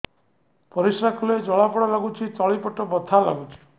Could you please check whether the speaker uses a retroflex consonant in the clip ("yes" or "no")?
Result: yes